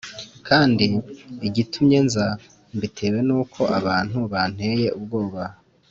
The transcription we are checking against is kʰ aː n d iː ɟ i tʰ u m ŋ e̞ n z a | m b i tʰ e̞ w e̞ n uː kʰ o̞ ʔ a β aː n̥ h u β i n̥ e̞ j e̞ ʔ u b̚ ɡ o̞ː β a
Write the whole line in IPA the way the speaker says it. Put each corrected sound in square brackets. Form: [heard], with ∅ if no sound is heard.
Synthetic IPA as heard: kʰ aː n d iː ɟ i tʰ u m [ɲ] e̞ n z a | m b i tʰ e̞ w e̞ n uː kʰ o̞ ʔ a β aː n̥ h u β [a] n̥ e̞ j e̞ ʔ u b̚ ɡ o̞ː β a